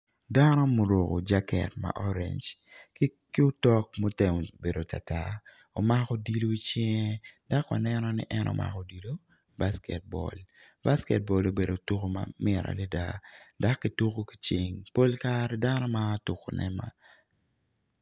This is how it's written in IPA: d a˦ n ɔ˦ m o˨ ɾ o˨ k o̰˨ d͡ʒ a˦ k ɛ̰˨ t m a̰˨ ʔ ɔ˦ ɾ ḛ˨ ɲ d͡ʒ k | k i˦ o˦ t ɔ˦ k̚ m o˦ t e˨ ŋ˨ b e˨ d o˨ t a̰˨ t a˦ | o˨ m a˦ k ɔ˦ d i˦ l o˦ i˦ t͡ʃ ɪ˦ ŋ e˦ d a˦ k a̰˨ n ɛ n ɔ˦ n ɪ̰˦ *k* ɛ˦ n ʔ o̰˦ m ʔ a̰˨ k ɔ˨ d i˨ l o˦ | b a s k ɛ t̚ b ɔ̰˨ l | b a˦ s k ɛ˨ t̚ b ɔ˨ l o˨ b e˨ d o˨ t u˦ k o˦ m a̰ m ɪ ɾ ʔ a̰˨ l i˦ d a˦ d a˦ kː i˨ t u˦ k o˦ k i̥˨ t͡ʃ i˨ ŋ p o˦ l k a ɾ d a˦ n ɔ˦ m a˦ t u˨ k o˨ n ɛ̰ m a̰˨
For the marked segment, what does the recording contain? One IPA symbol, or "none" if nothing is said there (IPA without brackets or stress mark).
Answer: ʔ